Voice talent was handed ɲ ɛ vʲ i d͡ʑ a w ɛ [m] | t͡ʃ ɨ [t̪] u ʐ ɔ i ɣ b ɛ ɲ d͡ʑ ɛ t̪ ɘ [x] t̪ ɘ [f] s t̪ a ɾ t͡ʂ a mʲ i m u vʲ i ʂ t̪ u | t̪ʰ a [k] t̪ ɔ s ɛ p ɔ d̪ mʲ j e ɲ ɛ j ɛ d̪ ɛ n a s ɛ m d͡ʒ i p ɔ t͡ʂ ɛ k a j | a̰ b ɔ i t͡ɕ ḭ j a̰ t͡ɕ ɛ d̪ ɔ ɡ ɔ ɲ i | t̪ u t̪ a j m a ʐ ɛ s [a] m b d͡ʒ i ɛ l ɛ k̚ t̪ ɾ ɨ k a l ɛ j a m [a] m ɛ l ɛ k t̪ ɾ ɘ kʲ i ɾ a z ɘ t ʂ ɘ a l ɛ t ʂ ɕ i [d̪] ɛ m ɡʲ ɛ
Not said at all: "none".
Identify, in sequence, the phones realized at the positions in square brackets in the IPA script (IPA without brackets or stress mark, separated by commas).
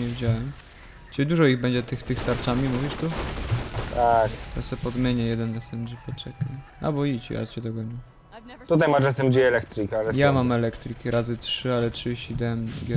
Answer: m, d̪, x, x, k, ɛ, a, d̪